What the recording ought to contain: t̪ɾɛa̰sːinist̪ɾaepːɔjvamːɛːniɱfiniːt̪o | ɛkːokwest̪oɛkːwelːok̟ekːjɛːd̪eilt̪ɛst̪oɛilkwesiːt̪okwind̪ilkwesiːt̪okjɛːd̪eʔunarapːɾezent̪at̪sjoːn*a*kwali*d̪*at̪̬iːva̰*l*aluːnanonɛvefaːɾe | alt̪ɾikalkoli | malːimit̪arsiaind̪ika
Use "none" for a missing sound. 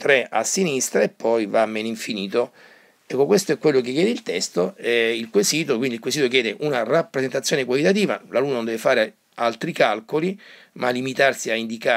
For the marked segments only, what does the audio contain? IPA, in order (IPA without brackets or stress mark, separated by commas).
e, t̪, l